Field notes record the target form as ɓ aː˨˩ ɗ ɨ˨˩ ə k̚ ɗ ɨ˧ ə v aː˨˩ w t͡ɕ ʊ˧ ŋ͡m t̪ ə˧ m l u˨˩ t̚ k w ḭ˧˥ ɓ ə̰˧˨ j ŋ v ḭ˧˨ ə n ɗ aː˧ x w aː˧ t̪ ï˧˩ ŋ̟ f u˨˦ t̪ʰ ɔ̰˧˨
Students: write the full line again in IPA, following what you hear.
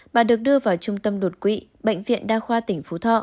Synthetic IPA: ɓ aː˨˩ ɗ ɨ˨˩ ə k̚ ɗ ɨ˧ ə v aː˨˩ w t͡ɕ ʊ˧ ŋ͡m t̪ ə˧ m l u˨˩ t̚ k w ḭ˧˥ ɓ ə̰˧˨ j ŋ v ḭ˧˨ ə n ɗ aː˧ x w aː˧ t̪ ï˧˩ ŋ̟ f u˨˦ t̪ʰ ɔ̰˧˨

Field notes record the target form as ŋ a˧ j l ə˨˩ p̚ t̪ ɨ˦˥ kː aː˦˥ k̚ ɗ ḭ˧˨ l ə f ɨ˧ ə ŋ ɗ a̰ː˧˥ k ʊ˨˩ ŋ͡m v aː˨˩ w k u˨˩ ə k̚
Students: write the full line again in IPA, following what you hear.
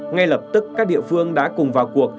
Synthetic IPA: ŋ a˧ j l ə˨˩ p̚ t̪ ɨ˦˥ kː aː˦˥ k̚ ɗ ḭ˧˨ ə f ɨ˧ ə ŋ ɗ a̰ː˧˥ k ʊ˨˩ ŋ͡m v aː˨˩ w k u˨˩ ə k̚

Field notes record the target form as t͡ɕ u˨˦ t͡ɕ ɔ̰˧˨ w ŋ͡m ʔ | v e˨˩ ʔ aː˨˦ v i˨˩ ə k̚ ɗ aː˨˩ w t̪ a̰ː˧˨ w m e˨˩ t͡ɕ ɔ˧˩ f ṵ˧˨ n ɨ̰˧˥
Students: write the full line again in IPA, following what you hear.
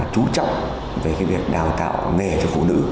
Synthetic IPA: t͡ɕ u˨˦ t͡ɕ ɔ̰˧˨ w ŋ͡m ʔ | v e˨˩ k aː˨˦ v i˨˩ ə k̚ ɗ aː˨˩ w t̪ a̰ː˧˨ w ŋ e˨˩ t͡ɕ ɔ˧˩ f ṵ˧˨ n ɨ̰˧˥

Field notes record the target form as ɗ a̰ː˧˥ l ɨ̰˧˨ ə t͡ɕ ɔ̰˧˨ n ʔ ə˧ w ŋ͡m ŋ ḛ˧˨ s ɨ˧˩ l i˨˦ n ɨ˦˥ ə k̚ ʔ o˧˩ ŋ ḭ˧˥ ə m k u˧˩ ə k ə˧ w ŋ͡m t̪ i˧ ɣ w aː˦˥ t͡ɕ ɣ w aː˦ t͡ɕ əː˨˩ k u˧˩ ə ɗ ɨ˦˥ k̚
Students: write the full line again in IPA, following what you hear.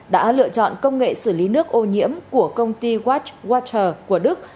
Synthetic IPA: ɗ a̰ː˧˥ l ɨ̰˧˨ ə t͡ɕ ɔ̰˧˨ n k ə˧ w ŋ͡m ŋ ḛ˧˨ s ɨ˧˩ l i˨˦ n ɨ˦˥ ə k̚ ʔ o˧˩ ɲ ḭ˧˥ ə m k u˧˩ ə k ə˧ w ŋ͡m t̪ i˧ ɣ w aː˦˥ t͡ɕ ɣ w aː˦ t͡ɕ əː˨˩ k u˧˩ ə ɗ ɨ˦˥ k̚

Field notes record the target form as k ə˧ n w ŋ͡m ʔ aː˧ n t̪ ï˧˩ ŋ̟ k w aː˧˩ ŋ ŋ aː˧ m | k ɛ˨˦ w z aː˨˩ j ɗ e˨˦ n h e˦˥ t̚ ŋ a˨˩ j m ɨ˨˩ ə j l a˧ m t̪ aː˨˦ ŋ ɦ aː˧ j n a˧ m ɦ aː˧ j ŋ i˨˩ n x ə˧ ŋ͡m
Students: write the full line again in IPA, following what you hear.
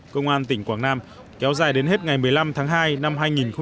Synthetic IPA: k ə˧ w ŋ͡m ʔ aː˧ n t̪ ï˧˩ ŋ̟ k w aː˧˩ ŋ n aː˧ m | k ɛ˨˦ w z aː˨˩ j ɗ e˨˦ n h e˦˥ t̚ ŋ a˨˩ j m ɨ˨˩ ə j l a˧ m t̪ʰ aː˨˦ ŋ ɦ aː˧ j n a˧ m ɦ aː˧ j ŋ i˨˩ n x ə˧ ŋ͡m

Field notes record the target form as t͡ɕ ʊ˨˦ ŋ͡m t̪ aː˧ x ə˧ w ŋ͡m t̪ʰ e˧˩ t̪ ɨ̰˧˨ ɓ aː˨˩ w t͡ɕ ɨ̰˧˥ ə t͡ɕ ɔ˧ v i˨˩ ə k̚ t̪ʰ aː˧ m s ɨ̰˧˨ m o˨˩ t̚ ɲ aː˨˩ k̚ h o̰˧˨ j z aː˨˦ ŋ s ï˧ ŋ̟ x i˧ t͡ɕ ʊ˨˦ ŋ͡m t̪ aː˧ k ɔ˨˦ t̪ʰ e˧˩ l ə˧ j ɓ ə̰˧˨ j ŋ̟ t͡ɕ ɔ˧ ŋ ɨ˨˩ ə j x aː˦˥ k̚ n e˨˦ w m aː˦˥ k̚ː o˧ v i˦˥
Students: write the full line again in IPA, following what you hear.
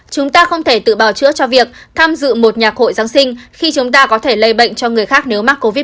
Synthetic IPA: t͡ɕ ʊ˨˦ ŋ͡m t̪ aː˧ x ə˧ w ŋ͡m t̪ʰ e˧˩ t̪ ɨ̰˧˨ ɓ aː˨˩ w t͡ɕ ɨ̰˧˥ ə t͡ɕ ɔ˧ v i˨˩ ə k̚ t̪ʰ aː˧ m z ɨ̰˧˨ m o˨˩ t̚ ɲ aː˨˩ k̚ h o̰˧˨ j z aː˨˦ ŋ s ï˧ ŋ̟ x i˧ t͡ɕ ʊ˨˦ ŋ͡m t̪ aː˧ k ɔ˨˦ t̪ʰ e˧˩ l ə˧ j ɓ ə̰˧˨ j ŋ̟ t͡ɕ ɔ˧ ŋ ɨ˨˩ ə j x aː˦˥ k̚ n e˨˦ w m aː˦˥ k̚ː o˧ v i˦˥

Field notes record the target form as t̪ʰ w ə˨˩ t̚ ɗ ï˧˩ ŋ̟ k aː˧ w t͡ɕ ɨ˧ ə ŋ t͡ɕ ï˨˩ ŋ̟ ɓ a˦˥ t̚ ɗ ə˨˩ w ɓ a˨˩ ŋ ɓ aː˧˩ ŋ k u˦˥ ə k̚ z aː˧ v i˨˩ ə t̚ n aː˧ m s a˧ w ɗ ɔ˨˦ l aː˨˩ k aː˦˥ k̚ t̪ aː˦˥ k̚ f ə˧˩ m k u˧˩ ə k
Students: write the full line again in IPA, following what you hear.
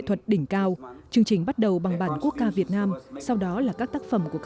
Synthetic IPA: t̪ʰ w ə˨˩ t̚ ɗ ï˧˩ ŋ̟ k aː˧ w t͡ɕ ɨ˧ ə ŋ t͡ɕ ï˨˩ ŋ̟ ɓ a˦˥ t̚ ɗ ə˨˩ w ɓ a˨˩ ŋ ɓ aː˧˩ n k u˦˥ ə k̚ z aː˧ v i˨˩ ə t̚ n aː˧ m s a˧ w ɗ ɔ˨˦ l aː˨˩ k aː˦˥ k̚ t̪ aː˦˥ k̚ f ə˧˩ m k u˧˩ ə k

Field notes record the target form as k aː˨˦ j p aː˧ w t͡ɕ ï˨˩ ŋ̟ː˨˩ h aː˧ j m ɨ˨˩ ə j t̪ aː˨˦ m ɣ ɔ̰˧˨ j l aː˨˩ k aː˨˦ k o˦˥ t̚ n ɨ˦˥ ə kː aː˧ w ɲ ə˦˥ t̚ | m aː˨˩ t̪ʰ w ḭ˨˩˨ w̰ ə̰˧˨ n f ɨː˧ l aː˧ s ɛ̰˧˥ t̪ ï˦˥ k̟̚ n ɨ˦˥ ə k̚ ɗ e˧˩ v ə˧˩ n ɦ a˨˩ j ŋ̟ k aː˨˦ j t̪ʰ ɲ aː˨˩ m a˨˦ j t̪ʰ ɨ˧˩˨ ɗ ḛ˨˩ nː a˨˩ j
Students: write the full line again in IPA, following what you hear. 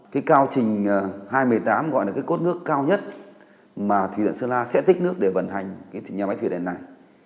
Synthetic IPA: k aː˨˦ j k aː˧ w t͡ɕ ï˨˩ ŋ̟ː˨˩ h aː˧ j m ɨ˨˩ ə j t̪ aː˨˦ m ɣ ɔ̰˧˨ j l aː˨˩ k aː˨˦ k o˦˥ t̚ n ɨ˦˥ ə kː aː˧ w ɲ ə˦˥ t̚ | m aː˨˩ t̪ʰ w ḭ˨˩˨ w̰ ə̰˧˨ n s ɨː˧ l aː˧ s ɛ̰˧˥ t̪ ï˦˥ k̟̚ n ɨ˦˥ ə k̚ ɗ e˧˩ v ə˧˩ n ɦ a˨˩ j ŋ̟ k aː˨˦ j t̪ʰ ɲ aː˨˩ m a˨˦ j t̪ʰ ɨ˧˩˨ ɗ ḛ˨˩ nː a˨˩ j

